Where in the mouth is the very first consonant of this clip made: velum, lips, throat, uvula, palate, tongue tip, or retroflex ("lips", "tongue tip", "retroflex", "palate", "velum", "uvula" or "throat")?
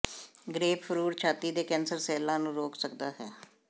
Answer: velum